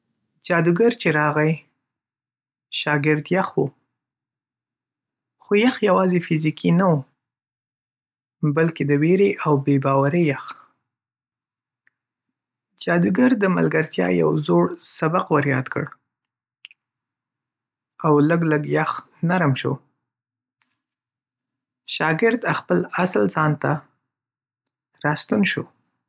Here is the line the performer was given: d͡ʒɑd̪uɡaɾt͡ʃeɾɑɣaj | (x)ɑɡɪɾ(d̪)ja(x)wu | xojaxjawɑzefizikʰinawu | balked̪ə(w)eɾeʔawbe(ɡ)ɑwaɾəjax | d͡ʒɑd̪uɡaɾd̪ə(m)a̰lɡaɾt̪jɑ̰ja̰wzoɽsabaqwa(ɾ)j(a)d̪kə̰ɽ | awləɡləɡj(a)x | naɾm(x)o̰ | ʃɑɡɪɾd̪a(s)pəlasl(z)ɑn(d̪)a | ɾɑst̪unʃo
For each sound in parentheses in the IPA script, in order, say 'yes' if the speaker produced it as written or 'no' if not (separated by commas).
no, yes, yes, yes, no, yes, yes, no, yes, no, no, yes, no